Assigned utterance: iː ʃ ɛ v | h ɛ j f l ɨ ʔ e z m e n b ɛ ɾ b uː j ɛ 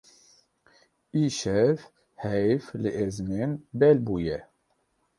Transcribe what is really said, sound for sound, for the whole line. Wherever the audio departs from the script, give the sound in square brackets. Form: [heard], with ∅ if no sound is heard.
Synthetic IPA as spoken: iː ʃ ɛ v | h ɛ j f l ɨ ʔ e z m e n b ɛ [l] b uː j ɛ